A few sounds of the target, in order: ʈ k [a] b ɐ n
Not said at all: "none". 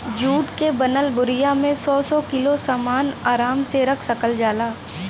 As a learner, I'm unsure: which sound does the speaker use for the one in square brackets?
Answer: e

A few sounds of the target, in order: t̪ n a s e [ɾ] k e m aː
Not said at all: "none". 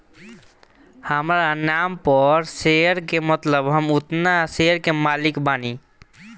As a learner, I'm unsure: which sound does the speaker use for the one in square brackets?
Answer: ɾ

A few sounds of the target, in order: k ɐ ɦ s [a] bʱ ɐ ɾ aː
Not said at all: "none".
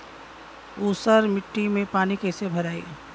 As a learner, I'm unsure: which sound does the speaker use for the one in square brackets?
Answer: e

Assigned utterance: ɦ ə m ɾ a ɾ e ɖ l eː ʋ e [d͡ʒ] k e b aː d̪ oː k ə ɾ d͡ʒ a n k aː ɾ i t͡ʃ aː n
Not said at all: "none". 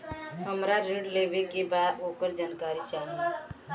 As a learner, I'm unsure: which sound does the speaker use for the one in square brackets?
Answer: none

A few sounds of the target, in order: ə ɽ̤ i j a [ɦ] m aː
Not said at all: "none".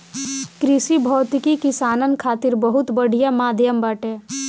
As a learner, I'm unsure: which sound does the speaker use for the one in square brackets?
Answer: none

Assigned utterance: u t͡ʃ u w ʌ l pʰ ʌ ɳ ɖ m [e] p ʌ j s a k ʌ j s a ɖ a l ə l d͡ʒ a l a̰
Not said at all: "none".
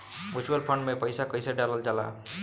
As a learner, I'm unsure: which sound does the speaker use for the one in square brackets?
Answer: e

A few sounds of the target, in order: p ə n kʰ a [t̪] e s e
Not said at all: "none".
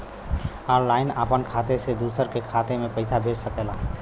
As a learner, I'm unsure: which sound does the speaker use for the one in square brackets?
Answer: t̪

